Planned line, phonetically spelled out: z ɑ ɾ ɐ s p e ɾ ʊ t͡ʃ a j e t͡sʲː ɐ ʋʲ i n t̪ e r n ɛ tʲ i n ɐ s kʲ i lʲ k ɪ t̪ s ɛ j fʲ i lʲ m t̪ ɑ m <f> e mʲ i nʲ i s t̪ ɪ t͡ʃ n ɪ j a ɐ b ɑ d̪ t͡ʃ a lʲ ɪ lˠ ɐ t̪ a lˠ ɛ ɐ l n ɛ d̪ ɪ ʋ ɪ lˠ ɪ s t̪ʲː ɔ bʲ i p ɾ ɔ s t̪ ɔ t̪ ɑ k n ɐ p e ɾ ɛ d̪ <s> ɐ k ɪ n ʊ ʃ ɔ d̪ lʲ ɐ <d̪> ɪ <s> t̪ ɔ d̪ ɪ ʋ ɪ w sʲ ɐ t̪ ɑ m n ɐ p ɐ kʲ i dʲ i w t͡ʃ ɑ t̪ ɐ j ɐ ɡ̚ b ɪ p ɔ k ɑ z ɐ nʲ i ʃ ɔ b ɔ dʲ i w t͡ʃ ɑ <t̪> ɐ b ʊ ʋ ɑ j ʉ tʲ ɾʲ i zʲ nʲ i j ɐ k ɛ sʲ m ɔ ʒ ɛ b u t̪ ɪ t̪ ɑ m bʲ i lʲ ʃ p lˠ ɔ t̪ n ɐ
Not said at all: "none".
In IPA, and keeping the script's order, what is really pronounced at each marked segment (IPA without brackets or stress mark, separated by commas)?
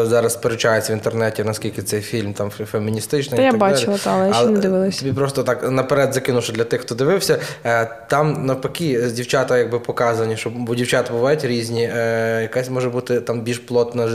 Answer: f, z, t̪, x, t̪